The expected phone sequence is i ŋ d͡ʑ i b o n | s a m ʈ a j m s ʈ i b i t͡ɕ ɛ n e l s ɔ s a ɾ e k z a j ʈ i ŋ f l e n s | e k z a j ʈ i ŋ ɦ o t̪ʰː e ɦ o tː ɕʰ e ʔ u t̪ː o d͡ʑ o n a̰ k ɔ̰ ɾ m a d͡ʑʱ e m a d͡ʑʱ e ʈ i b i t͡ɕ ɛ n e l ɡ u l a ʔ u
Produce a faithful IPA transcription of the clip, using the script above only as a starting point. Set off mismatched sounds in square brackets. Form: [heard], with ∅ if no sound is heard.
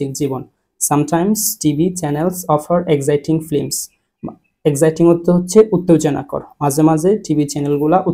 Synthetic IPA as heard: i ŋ d͡ʑ i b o n | s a m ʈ a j m s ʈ i b i t͡ɕ ɛ n e l s ɔ [f] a ɾ e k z a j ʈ i ŋ f l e [m] s | e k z a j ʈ i ŋ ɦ o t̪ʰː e ɦ o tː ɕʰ e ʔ u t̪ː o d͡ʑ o n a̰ k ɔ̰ ɾ m a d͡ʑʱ e m a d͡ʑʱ e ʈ i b i t͡ɕ ɛ n e l ɡ u l a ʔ u